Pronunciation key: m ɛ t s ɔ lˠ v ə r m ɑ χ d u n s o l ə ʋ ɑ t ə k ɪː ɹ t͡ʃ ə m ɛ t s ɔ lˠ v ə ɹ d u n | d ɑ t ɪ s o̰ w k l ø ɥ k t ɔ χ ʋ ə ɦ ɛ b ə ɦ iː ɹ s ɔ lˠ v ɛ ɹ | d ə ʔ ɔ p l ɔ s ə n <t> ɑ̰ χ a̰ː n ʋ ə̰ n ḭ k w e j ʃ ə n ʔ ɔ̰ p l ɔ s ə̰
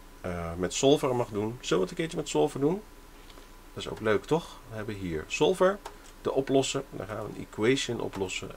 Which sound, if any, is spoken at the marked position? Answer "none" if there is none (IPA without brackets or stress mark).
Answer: d